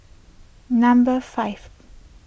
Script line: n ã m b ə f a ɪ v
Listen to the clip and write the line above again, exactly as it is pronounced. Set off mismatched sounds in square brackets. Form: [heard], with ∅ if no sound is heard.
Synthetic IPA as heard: n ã m b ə f a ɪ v